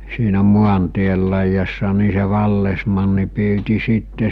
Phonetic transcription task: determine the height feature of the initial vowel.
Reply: high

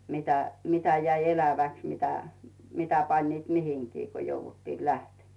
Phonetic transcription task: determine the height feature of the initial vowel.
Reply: high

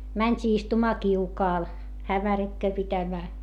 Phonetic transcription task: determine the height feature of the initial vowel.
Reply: low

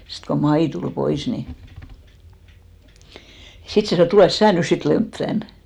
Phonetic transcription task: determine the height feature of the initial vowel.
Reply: high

